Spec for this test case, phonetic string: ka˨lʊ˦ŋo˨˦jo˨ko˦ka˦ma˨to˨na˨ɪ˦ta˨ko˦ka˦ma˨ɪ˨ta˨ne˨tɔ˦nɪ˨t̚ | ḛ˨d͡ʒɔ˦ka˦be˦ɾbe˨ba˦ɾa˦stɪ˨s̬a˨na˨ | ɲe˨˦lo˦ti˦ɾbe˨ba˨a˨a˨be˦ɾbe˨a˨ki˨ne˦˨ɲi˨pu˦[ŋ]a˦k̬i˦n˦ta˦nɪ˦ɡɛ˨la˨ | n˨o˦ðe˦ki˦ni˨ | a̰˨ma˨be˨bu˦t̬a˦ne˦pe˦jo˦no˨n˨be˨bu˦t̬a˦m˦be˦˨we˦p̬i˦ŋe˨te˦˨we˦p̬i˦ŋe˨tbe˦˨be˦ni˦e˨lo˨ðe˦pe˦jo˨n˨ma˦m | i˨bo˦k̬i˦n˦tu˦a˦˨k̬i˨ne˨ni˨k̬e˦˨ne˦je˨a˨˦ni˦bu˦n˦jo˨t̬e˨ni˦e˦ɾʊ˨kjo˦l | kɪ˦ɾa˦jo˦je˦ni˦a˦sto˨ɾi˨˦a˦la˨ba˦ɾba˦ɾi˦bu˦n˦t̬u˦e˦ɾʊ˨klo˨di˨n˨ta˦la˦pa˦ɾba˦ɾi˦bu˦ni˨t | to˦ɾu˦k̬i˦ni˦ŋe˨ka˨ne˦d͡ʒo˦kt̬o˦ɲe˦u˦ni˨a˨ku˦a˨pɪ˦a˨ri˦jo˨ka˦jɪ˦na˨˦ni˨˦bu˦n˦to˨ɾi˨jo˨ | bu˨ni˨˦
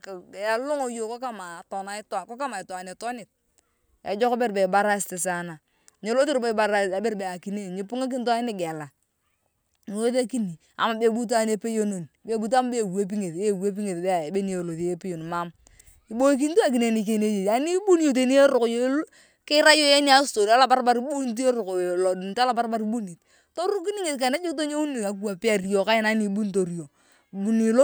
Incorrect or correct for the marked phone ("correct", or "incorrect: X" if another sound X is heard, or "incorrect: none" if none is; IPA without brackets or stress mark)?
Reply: correct